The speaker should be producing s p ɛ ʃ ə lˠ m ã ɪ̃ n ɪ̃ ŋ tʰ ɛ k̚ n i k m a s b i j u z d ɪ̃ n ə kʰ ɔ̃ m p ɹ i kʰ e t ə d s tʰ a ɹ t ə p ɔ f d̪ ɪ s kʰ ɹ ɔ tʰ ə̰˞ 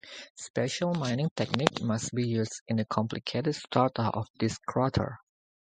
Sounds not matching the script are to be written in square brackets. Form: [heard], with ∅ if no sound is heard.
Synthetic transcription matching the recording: s p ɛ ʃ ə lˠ m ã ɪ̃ n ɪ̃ ŋ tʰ ɛ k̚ n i k m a s b i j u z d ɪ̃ n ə kʰ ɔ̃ m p [l] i kʰ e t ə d s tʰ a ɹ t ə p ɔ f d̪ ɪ s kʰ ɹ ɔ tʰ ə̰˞